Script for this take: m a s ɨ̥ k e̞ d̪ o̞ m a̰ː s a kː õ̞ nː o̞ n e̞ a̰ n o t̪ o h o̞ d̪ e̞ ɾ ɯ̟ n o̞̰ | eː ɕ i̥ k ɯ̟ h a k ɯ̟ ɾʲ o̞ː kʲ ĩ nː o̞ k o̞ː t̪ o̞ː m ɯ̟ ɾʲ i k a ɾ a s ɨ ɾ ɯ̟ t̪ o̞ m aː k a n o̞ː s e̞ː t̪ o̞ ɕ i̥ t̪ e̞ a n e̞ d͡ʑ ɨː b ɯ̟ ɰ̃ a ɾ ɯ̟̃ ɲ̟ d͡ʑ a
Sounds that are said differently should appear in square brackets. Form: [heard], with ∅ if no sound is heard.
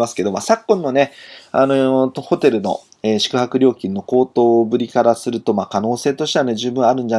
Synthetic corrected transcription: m a s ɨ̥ k e̞ d̪ o̞ m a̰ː s a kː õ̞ nː o̞ n e̞ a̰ n o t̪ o h o̞ [t̪] e̞ ɾ ɯ̟ n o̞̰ | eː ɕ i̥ k ɯ̟ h a k ɯ̟ ɾʲ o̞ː kʲ ĩ nː o̞ k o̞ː t̪ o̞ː [b] ɯ̟ ɾʲ i k a ɾ a s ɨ ɾ ɯ̟ t̪ o̞ m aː k a n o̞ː s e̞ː t̪ o̞ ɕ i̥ t̪ e̞ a n e̞ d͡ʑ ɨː b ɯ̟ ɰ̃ a ɾ ɯ̟̃ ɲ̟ d͡ʑ a